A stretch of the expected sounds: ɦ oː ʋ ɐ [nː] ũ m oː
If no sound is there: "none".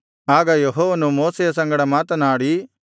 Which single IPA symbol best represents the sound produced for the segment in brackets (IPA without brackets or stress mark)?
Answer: n